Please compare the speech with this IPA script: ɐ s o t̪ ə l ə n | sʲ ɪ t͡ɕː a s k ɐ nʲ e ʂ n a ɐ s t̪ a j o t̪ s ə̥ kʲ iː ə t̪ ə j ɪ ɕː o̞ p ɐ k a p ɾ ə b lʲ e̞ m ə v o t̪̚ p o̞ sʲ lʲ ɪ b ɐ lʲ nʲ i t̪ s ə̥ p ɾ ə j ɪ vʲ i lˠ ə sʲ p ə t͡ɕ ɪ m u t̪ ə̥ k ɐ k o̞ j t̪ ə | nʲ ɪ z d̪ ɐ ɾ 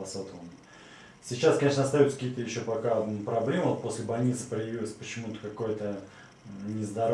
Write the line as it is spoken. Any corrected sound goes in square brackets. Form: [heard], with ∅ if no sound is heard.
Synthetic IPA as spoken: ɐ s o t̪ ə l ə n | sʲ ɪ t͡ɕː a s k ɐ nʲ e ʂ n [ə] ɐ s t̪ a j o t̪ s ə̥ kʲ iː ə t̪ ə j ɪ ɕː o̞ p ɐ k a p ɾ [ɐ] b lʲ e̞ m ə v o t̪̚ p o̞ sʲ lʲ ɪ b ɐ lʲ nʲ i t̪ s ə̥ p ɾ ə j ɪ vʲ i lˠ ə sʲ p ə t͡ɕ ɪ m u t̪ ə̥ k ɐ k o̞ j t̪ ə | nʲ ɪ z d̪ ɐ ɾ